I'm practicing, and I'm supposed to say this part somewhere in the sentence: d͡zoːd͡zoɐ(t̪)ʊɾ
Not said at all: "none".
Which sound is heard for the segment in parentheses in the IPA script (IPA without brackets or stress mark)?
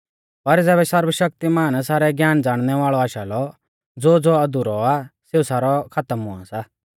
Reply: d̪